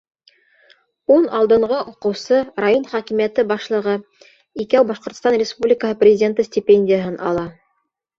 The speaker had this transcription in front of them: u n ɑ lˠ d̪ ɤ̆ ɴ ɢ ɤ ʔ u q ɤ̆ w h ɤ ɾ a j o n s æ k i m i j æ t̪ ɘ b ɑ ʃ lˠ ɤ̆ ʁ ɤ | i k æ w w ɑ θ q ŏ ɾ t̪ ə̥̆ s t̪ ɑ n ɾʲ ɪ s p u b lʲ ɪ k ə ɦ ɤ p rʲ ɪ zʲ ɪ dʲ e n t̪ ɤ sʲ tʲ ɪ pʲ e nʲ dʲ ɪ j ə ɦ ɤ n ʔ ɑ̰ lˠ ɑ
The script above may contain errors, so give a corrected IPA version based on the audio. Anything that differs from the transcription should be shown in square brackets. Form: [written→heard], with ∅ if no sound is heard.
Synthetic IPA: u n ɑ lˠ d̪ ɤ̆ ɴ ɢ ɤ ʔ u q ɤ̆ w [h→s] ɤ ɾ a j o n [s→χ] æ k i m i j æ t̪ ɘ b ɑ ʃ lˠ ɤ̆ ʁ ɤ | i k æ w [w→b] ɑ [θ→ʃ] q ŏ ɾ t̪ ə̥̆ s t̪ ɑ n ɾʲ ɪ s p u b lʲ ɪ k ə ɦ ɤ p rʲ ɪ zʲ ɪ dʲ e n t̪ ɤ sʲ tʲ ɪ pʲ e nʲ dʲ ɪ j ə ɦ ɤ n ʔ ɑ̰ lˠ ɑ